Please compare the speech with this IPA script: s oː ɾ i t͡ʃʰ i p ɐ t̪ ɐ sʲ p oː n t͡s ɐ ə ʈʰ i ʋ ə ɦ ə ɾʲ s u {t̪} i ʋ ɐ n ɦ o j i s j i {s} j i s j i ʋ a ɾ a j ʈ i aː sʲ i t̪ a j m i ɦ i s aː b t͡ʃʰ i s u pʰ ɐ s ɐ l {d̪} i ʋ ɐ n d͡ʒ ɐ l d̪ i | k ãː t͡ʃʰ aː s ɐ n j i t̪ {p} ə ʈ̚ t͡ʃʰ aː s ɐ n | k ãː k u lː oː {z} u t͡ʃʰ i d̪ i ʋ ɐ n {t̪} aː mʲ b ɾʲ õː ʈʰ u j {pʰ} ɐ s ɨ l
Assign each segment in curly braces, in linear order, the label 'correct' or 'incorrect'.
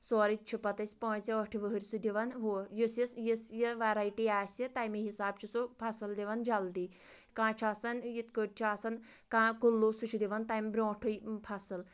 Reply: incorrect: d̪, correct, correct, incorrect: k, incorrect: s, correct, correct

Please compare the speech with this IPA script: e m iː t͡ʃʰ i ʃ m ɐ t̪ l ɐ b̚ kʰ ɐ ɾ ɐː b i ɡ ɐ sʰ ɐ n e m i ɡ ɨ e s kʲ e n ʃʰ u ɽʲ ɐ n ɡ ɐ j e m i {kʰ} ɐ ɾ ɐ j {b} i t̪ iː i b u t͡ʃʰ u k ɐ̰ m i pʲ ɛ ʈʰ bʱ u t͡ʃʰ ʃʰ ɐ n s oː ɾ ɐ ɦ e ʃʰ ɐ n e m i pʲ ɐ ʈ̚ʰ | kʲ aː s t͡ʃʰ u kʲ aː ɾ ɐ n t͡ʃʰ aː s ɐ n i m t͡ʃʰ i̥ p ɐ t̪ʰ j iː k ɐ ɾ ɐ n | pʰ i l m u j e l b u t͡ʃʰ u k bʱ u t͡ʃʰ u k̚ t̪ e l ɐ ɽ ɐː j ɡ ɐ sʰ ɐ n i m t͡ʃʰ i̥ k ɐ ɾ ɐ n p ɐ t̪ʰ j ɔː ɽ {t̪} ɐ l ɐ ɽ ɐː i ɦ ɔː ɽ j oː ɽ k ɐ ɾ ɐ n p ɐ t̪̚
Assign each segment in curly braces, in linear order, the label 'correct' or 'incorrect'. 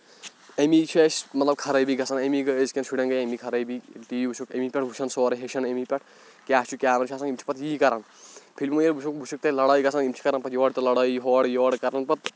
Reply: correct, correct, correct

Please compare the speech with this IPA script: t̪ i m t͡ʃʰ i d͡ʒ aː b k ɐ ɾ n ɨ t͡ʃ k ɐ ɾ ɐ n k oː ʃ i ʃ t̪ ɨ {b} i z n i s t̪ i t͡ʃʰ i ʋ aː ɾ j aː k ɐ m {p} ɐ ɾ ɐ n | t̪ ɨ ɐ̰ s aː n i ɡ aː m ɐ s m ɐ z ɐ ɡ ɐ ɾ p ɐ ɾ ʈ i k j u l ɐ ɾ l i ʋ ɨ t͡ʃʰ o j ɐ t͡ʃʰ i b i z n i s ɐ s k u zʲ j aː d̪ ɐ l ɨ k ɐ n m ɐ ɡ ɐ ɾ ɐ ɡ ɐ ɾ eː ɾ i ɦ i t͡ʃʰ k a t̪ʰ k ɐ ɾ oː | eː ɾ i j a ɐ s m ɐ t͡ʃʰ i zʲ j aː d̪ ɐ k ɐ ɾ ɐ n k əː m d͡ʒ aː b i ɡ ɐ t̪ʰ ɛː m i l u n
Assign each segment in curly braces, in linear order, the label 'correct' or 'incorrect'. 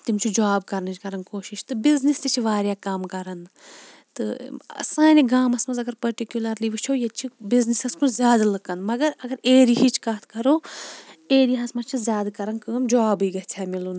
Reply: correct, incorrect: k

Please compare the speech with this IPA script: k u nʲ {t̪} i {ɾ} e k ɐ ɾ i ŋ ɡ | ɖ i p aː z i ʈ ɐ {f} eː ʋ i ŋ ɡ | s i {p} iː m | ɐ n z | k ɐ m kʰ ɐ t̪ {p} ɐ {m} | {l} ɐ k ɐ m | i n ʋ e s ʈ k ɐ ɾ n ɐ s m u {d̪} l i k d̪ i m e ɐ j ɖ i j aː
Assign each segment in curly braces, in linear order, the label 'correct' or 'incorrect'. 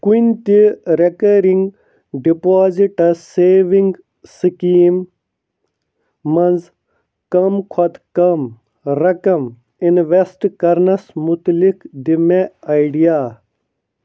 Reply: correct, correct, incorrect: s, incorrect: k, incorrect: k, correct, incorrect: ɾ, incorrect: t̪

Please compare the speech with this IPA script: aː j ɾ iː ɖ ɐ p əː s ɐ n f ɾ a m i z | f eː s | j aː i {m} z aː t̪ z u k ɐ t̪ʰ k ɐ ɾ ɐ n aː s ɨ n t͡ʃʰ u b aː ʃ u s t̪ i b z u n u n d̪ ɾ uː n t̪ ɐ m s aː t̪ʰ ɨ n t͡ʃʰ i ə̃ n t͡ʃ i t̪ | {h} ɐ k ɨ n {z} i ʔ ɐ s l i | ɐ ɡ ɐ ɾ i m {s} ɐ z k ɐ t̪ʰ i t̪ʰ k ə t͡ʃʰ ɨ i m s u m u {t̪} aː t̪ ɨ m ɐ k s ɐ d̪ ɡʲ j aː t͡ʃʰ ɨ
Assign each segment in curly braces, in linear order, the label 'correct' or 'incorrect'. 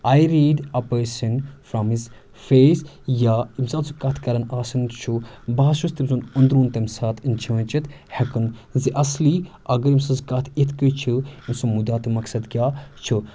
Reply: correct, correct, correct, correct, incorrect: d̪

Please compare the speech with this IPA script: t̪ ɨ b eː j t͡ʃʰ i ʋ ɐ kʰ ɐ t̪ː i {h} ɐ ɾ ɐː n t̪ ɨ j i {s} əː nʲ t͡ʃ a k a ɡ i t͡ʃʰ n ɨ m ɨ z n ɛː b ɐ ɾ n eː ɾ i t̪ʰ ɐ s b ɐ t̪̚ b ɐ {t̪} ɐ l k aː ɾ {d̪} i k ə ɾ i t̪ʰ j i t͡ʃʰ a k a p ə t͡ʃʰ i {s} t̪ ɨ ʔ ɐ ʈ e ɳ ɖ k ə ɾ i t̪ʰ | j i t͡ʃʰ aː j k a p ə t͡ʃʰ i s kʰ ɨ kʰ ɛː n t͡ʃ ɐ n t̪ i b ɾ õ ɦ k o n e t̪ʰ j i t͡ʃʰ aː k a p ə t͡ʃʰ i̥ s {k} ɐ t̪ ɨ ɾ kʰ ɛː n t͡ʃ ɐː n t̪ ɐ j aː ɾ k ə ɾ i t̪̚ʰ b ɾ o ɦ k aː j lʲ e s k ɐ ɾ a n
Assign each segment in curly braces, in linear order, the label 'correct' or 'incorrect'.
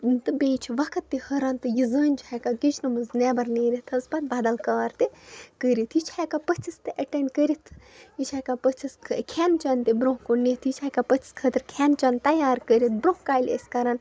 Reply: correct, incorrect: z, incorrect: d̪, incorrect: t̪, correct, incorrect: kʰ

